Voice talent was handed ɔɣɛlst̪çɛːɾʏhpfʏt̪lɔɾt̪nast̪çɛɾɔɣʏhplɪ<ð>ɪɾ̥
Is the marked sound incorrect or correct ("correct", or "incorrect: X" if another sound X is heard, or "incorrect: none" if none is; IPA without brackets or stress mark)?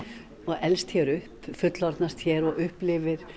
incorrect: v